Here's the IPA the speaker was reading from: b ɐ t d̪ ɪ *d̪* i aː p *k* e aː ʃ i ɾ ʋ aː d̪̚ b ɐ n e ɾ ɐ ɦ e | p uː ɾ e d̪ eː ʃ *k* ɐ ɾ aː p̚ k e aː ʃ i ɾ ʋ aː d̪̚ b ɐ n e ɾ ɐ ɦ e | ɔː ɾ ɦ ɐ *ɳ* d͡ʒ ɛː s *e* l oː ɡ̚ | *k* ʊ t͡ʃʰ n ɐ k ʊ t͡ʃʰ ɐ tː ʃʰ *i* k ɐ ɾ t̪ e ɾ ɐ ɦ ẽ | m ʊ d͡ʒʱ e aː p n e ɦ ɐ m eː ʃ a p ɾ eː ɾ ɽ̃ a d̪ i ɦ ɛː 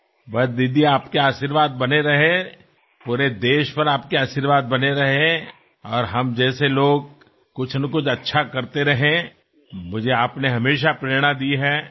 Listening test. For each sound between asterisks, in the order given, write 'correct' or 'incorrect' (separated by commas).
correct, correct, incorrect, incorrect, correct, correct, incorrect